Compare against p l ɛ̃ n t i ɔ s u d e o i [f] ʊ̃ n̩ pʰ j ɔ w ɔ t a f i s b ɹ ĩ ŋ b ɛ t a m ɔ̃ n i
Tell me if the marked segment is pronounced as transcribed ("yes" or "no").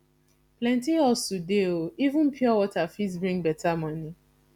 no